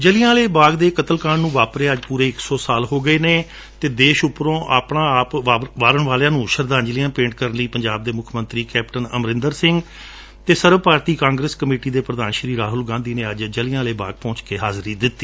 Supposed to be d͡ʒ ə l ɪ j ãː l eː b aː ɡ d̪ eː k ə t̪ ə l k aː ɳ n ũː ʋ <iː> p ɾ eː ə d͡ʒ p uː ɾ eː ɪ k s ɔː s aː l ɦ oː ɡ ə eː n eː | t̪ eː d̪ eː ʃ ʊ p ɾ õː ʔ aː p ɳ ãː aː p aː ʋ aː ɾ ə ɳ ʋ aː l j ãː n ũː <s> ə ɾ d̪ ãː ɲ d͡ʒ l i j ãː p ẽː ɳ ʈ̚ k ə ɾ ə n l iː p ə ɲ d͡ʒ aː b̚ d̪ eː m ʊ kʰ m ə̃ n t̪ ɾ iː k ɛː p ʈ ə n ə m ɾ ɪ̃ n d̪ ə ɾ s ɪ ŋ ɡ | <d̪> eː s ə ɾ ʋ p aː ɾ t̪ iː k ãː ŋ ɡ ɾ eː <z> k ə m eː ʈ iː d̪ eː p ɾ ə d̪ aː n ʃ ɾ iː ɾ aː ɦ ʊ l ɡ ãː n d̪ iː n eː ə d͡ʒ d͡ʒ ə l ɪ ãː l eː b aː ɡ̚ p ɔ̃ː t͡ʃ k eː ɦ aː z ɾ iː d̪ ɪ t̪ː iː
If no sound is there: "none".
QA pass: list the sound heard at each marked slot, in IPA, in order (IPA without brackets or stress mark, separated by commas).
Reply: aː, ʃ, t̪, s